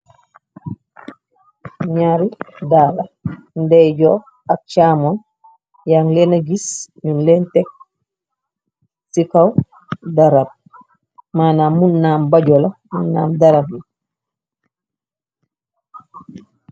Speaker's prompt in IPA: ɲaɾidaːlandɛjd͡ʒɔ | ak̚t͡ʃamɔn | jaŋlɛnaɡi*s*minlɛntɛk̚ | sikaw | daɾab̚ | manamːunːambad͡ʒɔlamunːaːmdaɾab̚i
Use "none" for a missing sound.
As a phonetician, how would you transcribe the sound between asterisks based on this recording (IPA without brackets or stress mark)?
s